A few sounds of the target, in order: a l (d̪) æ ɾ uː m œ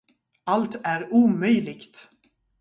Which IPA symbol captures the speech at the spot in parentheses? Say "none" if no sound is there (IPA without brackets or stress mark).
t̪